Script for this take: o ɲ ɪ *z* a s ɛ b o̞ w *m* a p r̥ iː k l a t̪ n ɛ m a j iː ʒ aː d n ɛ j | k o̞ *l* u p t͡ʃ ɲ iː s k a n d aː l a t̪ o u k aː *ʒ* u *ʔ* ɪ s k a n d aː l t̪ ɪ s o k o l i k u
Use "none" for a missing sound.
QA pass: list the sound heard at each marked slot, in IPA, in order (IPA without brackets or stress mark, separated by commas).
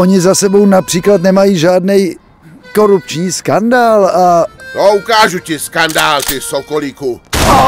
z, n, ɾ, ʒ, c